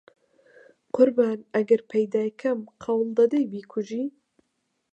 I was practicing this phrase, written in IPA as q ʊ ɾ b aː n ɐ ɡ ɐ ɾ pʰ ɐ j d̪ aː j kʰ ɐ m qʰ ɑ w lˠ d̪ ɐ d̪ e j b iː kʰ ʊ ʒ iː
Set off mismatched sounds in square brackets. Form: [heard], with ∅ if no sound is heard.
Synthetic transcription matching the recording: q ʊ ɾ b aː n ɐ ɡ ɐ ɾ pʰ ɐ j d̪ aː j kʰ ɐ m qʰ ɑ w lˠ d̪ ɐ d̪ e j b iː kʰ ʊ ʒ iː